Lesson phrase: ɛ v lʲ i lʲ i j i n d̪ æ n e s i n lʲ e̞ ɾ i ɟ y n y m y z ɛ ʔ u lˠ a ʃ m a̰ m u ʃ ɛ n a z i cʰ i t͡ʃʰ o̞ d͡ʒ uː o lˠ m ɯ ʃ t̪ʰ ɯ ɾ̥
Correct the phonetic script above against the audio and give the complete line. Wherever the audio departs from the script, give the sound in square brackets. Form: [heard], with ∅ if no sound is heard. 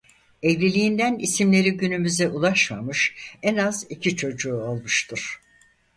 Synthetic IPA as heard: ɛ v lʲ i lʲ i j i n d̪ æ n [i] s i [m] lʲ e̞ ɾ i ɟ y n y m y z ɛ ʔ u lˠ a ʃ m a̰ m [ɯ] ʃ ɛ n a z i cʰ i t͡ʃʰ o̞ d͡ʒ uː o lˠ m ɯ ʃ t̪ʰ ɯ ɾ̥